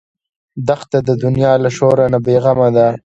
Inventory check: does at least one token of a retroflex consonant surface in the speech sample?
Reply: no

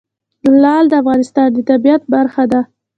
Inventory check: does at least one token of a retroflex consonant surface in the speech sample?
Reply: no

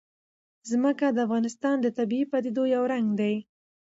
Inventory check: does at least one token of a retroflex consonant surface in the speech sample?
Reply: no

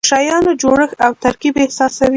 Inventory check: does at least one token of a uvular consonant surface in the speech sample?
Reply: no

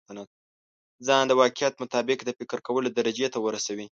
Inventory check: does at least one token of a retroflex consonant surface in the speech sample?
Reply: no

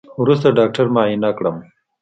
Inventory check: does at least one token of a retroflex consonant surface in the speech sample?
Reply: yes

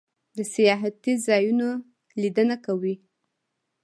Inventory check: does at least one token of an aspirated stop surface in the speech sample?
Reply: no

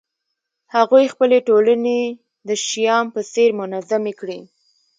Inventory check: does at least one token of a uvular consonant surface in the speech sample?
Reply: no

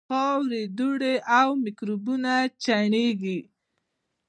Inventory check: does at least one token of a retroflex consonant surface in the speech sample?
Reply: yes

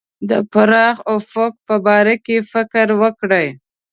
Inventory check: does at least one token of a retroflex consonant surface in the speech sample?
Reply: yes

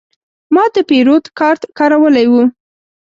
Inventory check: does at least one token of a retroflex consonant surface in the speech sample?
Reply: no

